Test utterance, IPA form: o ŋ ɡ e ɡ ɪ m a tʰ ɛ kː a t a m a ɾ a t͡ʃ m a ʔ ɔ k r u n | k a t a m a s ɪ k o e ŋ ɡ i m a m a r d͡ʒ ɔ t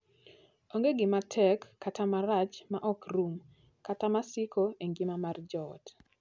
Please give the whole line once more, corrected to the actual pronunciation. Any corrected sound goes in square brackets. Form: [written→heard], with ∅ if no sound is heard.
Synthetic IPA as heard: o ŋ ɡ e ɡ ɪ m a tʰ ɛ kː a t a m a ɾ a t͡ʃ m a ʔ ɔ k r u [n→m] | k a t a m a s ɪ k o e ŋ ɡ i m a m a r d͡ʒ ɔ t